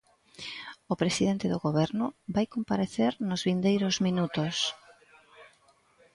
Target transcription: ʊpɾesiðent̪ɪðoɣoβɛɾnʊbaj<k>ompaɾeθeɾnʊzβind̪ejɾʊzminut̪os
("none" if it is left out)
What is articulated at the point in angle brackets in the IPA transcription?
k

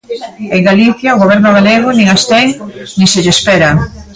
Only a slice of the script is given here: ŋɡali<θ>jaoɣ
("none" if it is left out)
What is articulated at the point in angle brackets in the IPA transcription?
θ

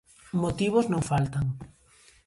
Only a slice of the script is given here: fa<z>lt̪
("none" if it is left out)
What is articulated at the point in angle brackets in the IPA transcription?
none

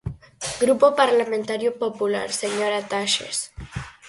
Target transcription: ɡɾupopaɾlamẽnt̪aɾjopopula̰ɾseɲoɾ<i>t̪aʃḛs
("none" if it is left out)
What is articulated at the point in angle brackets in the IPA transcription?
a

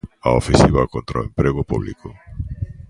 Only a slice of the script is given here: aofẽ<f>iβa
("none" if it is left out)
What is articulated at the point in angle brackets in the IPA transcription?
s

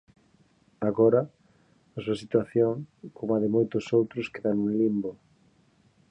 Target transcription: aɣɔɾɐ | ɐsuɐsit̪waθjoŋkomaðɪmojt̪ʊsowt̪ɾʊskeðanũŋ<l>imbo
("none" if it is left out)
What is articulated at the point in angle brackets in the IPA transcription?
l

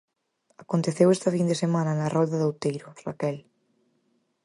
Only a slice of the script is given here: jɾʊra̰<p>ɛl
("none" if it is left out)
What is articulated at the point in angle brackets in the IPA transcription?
k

